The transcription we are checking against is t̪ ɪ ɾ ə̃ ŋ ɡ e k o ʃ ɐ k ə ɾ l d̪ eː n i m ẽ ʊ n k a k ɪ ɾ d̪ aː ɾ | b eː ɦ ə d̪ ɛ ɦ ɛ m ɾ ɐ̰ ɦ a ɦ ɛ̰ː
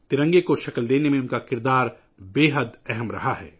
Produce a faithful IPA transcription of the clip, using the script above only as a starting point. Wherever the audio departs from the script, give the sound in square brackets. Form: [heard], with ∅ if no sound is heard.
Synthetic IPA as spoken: t̪ ɪ ɾ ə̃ ŋ ɡ e k o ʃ ɐ k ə [∅] l d̪ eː n [e] m ẽ ʊ n k a k ɪ ɾ d̪ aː ɾ | b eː ɦ ə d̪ ɛ ɦ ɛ m ɾ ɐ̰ ɦ a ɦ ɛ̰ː

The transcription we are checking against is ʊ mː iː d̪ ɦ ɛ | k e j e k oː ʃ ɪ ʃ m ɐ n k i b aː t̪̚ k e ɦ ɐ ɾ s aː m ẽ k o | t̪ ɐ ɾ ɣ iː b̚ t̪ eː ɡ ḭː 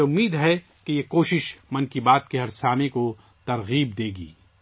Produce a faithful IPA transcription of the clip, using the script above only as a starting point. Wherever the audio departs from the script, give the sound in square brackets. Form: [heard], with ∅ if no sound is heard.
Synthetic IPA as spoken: ʊ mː iː d̪ ɦ ɛ | k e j e k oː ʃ ɪ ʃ m ɐ n k i b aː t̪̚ k e ɦ ɐ ɾ s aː m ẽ k o | t̪ ɐ ɾ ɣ iː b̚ [d̪] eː ɡ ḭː

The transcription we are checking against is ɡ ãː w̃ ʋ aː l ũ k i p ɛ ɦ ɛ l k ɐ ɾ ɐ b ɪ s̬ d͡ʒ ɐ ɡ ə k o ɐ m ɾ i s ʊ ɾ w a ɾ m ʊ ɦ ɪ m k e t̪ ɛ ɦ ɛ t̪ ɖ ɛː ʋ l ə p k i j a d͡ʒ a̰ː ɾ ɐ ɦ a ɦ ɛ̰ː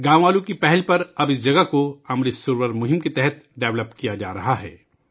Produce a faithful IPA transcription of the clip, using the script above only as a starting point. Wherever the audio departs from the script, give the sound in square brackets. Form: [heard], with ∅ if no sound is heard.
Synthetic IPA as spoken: ɡ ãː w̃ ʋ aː l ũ k i p ɛ ɦ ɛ l [p] ɐ ɾ ɐ b ɪ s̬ d͡ʒ ɐ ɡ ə k o ɐ m ɾ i s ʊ ɾ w [ə] ɾ m ʊ ɦ ɪ m k e t̪ ɛ ɦ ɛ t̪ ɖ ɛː ʋ l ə p k i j a d͡ʒ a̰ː ɾ ɐ ɦ a ɦ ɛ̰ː

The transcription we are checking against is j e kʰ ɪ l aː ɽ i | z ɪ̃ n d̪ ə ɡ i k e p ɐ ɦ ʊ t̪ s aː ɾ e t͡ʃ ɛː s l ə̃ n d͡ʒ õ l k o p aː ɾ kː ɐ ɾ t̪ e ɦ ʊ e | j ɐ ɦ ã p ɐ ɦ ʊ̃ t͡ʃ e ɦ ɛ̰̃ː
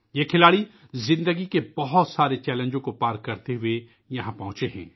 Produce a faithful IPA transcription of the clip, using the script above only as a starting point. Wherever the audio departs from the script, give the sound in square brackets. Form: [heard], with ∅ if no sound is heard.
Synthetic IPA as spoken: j e kʰ ɪ l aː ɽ i | z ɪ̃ n d̪ ə ɡ i k e [b] ɐ ɦ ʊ t̪ s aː ɾ e t͡ʃ ɛː [∅] l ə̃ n d͡ʒ õ [∅] k o p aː ɾ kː ɐ ɾ t̪ e ɦ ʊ e | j ɐ ɦ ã p ɐ ɦ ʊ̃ t͡ʃ e ɦ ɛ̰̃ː

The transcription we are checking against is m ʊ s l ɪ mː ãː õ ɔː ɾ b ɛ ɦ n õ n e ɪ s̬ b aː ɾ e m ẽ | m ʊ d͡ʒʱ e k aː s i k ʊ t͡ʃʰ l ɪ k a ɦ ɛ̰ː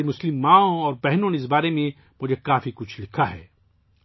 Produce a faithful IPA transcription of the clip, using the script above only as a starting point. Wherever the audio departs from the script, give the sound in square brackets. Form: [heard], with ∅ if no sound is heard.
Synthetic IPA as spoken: m ʊ s l ɪ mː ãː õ ɔː ɾ b ɛ ɦ n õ n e ɪ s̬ b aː ɾ e m ẽ | m ʊ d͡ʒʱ e k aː [f] i k ʊ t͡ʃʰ l ɪ [kʰ] a ɦ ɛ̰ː

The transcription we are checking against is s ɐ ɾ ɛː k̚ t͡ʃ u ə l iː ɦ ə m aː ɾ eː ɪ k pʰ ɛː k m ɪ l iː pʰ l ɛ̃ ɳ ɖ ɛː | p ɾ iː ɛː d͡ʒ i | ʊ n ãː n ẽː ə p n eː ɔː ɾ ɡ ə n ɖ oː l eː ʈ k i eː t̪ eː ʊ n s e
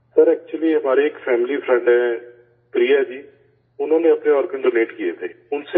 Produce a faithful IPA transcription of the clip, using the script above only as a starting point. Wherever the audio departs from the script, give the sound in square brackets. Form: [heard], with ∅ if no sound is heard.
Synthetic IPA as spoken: s [ə] ɾ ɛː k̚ t͡ʃ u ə l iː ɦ ə m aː ɾ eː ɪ k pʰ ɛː [∅] m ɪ l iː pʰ [ɾ] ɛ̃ ɳ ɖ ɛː | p ɾ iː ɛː d͡ʒ [iː] | ʊ n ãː n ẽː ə p n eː ɔː ɾ ɡ ə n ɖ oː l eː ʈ k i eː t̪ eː ʊ n s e

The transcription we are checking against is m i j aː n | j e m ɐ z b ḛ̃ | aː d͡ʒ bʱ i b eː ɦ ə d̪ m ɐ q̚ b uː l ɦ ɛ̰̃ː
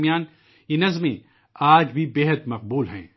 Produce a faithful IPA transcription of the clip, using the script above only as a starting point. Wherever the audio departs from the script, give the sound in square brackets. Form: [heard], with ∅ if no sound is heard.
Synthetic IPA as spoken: m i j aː n | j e [n] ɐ z [m] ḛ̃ | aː d͡ʒ bʱ i b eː ɦ ə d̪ m ɐ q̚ b uː l ɦ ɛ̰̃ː

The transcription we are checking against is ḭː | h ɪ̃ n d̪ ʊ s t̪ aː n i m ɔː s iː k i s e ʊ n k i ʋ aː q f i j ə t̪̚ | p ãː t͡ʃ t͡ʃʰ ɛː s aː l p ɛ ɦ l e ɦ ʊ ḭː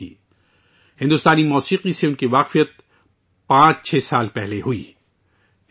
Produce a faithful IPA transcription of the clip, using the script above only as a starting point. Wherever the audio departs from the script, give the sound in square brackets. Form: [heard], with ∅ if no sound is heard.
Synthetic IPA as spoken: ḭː | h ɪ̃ n d̪ ʊ s t̪ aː n i m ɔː s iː [q] i s e ʊ n k i ʋ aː q f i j ə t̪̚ | p ãː t͡ʃ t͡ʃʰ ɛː s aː l p ɛ ɦ l e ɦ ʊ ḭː

